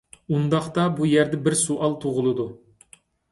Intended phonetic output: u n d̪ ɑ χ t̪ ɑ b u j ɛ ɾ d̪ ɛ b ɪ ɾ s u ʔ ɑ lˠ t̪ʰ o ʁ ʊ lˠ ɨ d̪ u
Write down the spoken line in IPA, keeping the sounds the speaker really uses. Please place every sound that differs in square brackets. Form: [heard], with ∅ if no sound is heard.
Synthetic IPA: u n d̪ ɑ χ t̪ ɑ b u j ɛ ɾ d̪ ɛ b ɪ ɾ s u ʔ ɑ lˠ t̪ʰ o ʁ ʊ lˠ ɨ d̪ u